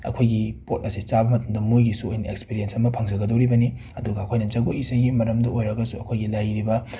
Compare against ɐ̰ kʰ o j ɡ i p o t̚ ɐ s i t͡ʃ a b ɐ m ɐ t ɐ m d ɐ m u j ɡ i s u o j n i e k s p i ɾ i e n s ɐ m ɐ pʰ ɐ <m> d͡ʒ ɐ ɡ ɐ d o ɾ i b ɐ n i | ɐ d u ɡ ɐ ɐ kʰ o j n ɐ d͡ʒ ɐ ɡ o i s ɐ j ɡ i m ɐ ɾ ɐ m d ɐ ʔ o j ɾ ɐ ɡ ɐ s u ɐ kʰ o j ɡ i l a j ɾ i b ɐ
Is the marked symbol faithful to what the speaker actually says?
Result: no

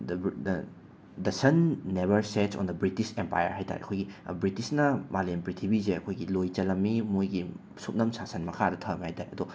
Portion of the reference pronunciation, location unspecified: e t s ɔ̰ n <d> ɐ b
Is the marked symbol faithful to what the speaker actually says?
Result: yes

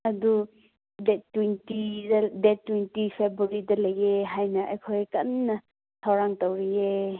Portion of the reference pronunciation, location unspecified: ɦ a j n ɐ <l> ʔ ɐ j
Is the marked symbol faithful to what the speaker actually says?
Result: no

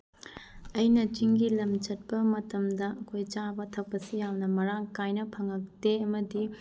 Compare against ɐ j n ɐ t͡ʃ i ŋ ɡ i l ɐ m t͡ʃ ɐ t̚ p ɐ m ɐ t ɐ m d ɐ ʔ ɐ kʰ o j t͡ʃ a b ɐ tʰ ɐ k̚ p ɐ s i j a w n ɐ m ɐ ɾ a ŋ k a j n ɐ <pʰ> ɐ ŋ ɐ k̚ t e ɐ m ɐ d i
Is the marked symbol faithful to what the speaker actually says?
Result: yes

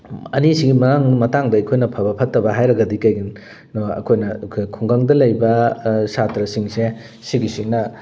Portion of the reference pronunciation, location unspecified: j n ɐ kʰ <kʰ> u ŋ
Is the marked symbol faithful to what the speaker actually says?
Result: yes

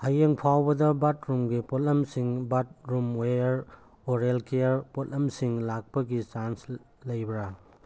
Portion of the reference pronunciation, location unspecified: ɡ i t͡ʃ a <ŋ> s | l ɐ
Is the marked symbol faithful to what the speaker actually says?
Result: no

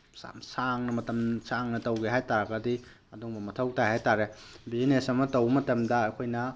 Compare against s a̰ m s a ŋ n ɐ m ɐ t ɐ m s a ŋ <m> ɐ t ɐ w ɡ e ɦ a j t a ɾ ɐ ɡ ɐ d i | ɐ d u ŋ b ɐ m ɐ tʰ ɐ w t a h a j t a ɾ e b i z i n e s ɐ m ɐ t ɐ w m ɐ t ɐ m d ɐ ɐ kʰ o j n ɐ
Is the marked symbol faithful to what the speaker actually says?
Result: no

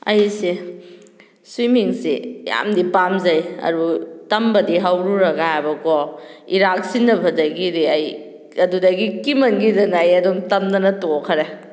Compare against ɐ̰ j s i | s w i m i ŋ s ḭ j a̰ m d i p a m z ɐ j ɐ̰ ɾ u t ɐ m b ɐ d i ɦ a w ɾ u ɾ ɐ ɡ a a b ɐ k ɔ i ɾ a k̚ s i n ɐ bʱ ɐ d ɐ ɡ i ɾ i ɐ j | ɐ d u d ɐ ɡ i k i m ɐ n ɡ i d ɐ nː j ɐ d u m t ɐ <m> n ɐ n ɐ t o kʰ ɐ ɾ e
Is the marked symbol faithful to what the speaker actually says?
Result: yes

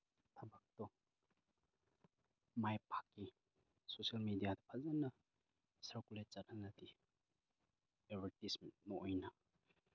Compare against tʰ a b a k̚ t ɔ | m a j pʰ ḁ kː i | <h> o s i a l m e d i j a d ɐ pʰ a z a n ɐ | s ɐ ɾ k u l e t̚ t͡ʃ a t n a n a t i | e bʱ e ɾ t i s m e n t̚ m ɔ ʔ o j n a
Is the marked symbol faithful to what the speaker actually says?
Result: no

